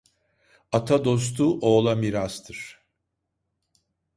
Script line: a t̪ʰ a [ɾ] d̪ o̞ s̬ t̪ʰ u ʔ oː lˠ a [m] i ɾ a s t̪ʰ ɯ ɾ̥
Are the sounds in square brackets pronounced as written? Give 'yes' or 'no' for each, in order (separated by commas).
no, yes